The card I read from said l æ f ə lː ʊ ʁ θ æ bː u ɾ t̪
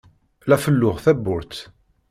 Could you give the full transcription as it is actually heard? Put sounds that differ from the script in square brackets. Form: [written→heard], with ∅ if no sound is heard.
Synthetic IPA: l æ f ə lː ʊ ʁ θ æ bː [u→ʊ] ɾ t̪